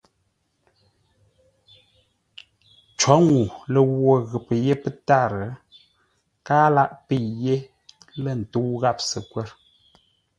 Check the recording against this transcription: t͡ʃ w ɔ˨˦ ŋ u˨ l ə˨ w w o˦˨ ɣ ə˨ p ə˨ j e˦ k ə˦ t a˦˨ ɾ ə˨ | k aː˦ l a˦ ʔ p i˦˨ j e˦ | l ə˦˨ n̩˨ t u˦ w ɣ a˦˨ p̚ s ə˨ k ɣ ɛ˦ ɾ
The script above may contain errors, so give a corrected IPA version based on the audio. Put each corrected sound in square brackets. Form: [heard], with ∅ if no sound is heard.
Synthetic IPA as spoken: t͡ʃ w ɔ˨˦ ŋ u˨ l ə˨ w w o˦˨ ɣ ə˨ p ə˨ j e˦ [p] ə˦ t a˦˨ ɾ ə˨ | k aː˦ l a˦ ʔ p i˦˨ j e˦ | l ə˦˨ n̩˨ t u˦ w ɣ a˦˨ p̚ s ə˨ k [w] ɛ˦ ɾ